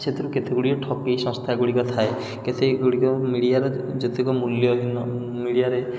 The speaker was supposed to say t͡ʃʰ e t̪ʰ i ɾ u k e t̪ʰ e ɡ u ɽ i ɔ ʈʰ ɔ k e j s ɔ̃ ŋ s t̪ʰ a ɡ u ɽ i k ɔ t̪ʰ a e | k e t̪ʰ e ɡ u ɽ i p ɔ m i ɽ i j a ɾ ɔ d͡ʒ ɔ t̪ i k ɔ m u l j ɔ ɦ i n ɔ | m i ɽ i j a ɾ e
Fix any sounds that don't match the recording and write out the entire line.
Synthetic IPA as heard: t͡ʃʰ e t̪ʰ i ɾ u k e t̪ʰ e ɡ u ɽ i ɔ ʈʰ ɔ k e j s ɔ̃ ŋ s t̪ʰ a ɡ u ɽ i k ɔ t̪ʰ a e | k e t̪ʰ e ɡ u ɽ i k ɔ m i ɽ i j a ɾ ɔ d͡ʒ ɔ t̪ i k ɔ m u l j ɔ ɦ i n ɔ | m i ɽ i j a ɾ e